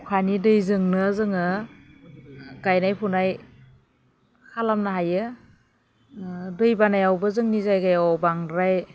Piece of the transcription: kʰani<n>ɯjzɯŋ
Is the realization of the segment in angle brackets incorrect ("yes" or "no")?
yes